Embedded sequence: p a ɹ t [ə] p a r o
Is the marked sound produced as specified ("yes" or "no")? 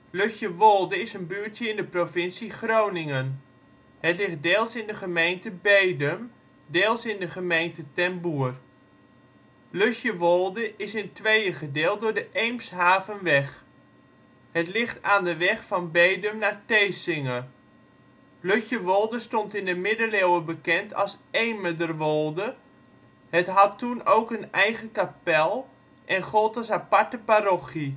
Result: yes